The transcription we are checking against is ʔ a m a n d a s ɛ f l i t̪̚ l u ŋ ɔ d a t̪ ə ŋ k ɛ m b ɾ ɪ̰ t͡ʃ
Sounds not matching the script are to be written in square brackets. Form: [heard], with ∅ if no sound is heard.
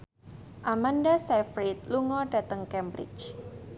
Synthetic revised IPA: ʔ a m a n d a s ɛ f [ɾ] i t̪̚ l u ŋ ɔ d a t̪ ə ŋ k ɛ m b ɾ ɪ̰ t͡ʃ